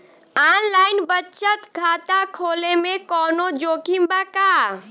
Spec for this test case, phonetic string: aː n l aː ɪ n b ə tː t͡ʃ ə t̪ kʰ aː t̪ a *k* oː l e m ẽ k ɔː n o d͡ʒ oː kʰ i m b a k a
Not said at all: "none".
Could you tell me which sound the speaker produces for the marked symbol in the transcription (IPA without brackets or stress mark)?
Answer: kʰ